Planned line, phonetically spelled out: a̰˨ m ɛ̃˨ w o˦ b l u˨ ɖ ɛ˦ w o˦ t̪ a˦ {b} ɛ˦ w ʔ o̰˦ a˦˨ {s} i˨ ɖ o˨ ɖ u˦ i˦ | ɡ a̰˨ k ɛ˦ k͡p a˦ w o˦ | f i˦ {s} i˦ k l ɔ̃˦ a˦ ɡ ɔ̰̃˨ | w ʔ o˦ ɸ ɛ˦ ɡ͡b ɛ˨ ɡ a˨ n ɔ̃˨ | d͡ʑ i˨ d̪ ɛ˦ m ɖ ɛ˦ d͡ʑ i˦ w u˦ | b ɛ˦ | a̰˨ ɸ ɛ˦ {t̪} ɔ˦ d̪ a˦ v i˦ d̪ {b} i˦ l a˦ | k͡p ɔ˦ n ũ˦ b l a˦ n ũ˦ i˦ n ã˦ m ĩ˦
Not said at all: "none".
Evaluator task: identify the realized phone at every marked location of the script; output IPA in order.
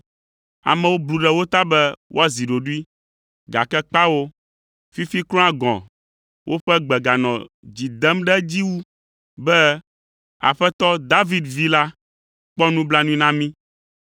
b, z, f, t̪, v

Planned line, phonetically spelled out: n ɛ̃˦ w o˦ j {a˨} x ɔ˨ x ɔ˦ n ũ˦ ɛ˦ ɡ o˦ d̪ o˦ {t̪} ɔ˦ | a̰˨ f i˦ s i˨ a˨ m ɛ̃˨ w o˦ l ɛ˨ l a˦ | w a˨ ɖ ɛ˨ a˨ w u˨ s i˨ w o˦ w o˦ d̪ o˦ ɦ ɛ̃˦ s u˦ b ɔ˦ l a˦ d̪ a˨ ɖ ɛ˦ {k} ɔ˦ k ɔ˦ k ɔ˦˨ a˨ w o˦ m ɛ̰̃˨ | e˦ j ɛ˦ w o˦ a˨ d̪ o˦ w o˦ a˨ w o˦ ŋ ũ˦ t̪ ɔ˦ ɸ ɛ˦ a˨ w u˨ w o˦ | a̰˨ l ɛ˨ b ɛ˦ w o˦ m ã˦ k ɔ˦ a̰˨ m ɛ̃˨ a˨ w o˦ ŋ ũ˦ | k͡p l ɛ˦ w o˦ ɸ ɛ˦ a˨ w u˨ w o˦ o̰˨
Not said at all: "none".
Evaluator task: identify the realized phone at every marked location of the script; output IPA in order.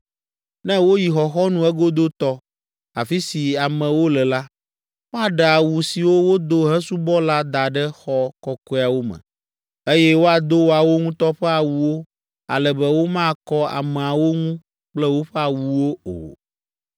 i˨, t̪, x

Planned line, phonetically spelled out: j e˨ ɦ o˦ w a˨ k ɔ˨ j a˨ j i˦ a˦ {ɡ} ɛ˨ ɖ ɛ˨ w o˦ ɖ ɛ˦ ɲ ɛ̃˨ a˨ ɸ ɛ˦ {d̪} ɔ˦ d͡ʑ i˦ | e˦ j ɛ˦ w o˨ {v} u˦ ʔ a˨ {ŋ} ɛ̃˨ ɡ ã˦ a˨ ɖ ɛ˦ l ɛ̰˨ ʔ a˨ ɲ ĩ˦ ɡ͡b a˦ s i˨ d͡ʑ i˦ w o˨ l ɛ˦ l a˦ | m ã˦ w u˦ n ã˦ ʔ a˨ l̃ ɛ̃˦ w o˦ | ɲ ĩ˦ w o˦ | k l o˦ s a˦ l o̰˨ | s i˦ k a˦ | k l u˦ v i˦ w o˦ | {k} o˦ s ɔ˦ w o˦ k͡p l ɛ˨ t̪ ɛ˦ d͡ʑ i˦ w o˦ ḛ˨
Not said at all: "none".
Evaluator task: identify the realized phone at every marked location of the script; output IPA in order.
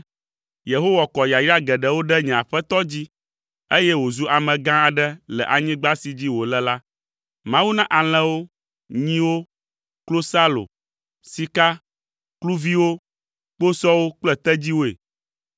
ɡ, t̪, z, m, k͡p

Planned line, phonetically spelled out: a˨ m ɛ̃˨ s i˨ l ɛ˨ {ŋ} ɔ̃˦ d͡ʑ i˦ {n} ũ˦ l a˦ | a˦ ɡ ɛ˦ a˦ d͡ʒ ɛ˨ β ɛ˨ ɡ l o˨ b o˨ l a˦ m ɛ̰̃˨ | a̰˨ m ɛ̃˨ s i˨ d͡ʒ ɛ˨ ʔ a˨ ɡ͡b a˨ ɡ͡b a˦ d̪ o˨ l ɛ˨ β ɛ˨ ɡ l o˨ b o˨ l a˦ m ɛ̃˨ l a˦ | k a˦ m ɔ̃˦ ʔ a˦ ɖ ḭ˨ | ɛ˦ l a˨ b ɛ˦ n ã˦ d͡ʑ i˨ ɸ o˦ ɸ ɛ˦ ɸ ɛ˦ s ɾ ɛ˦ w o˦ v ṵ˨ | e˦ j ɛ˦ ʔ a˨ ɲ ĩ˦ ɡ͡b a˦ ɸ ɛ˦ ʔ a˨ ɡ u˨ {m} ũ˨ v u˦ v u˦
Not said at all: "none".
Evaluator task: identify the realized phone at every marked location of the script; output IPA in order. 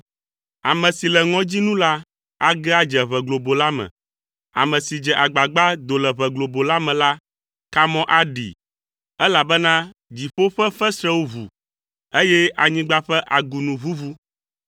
ŋ, n, n

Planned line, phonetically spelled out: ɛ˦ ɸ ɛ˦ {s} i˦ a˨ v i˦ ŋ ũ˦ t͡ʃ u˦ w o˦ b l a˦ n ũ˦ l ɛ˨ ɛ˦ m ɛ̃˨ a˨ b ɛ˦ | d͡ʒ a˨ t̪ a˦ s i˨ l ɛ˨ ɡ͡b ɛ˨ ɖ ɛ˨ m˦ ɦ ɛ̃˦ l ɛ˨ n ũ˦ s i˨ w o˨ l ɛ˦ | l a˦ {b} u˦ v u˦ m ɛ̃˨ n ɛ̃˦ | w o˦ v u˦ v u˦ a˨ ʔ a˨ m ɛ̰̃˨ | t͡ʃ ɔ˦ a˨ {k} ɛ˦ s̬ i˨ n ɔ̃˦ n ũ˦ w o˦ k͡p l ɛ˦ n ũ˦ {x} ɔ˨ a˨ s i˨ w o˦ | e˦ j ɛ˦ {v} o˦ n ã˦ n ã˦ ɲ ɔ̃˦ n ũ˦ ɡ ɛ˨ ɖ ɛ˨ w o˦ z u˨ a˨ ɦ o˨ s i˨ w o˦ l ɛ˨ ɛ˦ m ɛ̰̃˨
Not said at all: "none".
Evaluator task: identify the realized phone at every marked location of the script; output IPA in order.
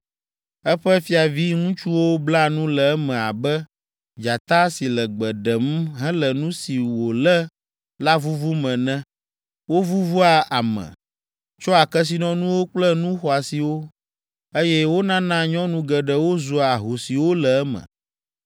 f, v, k, x, w

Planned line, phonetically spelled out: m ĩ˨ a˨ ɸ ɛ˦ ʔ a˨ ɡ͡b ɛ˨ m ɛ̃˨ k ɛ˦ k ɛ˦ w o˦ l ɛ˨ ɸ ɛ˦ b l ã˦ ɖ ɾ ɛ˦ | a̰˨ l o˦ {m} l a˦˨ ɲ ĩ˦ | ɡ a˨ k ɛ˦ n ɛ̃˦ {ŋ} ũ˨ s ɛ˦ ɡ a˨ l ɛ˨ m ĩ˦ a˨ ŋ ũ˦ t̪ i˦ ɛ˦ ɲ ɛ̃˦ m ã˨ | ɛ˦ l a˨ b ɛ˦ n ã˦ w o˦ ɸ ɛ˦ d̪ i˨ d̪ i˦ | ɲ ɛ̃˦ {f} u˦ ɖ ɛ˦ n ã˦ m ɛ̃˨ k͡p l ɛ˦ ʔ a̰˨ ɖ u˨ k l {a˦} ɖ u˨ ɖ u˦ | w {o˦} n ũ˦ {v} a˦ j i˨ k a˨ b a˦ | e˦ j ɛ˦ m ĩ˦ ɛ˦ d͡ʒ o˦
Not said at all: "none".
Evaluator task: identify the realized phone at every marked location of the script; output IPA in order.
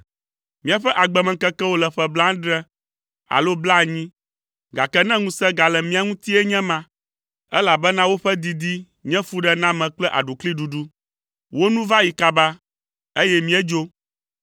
b, ŋ, f, i˦, o˦, v

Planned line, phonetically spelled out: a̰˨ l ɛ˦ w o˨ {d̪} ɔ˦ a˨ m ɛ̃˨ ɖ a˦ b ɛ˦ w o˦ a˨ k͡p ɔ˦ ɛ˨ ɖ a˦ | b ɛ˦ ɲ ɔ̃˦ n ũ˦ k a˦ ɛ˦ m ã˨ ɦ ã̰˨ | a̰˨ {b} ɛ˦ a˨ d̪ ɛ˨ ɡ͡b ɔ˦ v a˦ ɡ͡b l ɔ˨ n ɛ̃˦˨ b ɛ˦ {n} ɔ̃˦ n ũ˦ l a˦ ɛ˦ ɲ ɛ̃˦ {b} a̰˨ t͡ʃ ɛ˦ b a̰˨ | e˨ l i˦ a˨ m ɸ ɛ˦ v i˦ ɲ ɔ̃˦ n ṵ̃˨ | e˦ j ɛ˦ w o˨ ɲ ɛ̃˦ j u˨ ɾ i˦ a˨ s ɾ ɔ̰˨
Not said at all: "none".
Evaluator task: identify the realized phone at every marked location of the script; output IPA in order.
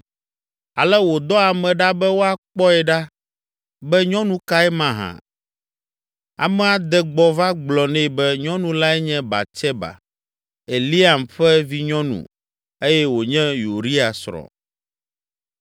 d̪, m, ɲ, b

